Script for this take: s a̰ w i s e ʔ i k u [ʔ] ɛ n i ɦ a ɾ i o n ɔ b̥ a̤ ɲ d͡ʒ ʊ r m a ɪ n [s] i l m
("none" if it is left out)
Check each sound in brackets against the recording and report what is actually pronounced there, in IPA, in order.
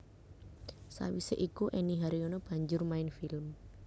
ʔ, f

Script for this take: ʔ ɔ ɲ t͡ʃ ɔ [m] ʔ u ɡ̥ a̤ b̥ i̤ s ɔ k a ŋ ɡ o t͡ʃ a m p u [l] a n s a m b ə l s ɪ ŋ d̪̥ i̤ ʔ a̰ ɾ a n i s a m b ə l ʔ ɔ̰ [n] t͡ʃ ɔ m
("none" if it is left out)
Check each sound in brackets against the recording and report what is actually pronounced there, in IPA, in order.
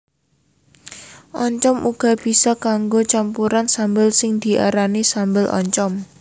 m, ɾ, ɲ

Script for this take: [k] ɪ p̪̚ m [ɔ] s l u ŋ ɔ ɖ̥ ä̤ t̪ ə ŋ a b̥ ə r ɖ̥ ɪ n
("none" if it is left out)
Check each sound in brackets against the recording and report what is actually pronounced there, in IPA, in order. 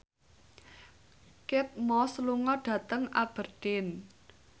k, ɔ

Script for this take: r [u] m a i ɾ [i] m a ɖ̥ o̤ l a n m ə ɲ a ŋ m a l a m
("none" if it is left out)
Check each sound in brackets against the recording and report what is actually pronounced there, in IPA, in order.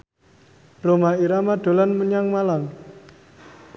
o, a

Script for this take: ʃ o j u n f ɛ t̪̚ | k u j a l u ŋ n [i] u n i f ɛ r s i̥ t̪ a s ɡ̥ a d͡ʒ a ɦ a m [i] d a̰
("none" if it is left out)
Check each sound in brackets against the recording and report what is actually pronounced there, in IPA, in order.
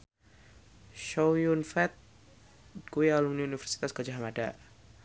i, a

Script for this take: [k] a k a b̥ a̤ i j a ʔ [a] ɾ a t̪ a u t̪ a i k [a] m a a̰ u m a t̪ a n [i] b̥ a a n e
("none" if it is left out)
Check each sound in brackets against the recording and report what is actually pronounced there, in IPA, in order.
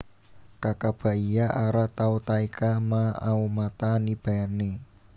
k, a, a, i

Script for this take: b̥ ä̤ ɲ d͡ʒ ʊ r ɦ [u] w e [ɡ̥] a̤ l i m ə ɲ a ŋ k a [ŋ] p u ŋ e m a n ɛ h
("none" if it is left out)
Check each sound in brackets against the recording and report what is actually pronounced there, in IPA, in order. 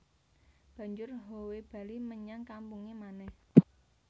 o, b̥, m

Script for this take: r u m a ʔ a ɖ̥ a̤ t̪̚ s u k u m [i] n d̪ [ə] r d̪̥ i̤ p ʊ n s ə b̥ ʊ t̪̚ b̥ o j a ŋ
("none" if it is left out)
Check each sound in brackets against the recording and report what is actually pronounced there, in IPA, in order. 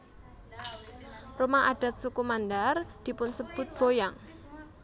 a, a

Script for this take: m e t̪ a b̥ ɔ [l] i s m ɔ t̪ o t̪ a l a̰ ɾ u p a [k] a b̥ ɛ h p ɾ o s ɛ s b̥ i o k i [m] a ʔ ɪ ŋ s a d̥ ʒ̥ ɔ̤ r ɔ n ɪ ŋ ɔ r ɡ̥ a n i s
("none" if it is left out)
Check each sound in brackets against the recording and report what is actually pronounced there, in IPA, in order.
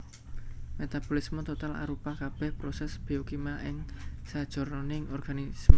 l, k, m

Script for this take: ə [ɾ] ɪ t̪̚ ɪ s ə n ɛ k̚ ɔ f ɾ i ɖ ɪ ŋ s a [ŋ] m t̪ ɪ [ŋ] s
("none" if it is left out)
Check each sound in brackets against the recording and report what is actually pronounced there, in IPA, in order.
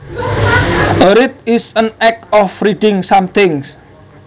ɾ, none, ŋ

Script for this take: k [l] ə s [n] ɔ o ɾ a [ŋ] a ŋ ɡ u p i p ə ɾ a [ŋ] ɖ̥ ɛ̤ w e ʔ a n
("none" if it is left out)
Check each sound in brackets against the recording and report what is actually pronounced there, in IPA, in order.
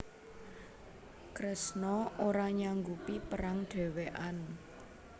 ɾ, n, ɲ, ŋ

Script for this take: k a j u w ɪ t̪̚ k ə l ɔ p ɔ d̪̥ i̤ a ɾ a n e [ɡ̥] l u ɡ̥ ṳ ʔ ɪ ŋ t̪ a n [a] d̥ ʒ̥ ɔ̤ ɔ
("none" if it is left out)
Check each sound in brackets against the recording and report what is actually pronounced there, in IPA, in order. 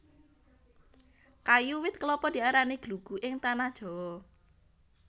ɡ̥, a

